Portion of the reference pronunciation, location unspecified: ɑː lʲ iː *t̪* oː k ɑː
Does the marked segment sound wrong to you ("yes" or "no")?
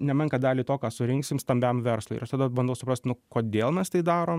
no